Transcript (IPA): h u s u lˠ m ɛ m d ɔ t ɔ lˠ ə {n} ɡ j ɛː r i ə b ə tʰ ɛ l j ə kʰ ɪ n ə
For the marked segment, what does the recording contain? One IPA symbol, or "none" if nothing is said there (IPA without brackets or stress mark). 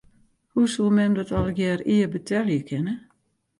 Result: none